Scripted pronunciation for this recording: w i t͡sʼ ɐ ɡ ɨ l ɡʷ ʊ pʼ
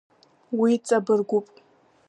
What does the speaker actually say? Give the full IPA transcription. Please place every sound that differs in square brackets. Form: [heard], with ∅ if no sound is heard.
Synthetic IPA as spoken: w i t͡sʼ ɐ [b] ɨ [r] ɡʷ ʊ pʼ